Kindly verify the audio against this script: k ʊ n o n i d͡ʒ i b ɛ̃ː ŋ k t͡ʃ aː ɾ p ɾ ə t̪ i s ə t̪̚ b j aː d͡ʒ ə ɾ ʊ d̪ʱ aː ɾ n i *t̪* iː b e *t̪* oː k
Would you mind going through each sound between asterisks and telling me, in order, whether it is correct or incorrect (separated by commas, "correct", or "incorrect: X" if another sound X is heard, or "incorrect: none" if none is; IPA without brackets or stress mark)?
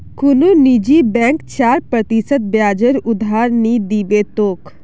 incorrect: d̪, correct